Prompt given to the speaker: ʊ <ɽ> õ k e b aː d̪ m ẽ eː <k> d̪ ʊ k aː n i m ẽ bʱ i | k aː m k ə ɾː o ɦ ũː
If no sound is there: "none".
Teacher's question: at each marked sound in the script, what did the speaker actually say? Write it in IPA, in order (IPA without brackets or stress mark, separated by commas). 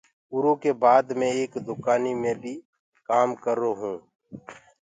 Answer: ɾ, k